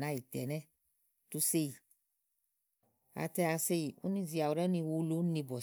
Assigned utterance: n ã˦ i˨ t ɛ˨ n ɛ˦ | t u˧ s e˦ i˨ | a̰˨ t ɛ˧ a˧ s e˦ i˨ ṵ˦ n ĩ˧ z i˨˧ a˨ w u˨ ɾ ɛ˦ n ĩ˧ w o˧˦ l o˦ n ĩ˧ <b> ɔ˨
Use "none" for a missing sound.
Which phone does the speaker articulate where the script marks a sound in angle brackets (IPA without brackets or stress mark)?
b